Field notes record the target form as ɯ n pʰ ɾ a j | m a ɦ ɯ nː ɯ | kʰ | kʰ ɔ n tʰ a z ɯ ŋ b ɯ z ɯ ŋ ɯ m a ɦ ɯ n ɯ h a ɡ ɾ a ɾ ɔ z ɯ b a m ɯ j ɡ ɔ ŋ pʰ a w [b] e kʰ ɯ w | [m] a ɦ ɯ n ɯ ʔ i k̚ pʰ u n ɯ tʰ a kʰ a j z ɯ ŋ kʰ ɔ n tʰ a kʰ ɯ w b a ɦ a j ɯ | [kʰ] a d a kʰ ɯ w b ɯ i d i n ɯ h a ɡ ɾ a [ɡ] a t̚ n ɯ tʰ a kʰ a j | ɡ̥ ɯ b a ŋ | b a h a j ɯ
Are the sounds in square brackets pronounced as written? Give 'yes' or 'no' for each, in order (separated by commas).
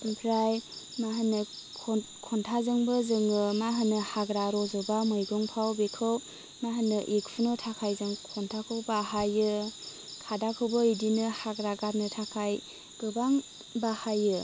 yes, yes, yes, yes